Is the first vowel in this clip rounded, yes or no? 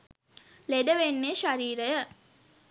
no